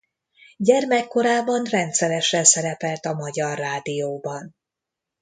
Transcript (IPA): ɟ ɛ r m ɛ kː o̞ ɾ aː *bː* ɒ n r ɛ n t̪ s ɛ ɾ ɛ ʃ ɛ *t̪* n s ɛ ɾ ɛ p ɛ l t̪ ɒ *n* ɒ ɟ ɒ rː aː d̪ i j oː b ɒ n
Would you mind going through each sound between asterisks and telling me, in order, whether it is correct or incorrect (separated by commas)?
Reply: incorrect, incorrect, incorrect